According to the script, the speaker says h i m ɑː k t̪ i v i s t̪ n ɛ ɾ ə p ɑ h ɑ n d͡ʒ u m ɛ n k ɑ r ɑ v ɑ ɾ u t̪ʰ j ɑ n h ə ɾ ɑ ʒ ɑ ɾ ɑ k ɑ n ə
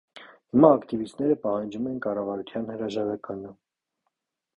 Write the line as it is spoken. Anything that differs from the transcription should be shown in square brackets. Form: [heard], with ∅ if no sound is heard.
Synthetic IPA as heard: h i m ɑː k t̪ i v i s t̪ n ɛ ɾ ə p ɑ h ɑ n d͡ʒ u m ɛ n k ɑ r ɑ v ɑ ɾ u t̪ʰ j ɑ n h ə ɾ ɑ ʒ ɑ ɾ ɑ k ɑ n ə